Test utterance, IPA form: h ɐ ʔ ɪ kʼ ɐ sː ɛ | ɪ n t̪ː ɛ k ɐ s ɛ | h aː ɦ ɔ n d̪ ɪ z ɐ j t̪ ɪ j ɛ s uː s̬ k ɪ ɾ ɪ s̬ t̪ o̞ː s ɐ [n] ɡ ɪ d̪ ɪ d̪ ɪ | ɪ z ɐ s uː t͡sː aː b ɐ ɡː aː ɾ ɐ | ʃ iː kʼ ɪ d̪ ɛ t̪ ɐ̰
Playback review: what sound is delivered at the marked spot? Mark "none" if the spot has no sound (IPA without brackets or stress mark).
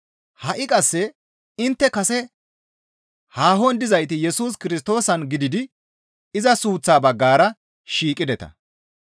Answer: n